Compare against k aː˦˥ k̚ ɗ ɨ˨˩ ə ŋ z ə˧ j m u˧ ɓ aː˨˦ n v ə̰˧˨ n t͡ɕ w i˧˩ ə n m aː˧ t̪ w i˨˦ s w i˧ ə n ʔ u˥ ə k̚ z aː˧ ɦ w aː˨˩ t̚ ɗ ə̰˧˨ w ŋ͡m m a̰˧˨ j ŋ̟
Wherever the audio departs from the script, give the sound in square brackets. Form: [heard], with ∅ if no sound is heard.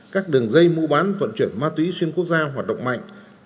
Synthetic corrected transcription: k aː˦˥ k̚ ɗ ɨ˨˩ ə ŋ z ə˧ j m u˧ ɓ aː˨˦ n v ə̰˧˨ n t͡ɕ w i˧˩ ə n m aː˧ t̪ w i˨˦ s w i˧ ə n [k] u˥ ə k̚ z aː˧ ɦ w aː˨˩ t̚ ɗ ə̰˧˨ w ŋ͡m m a̰˧˨ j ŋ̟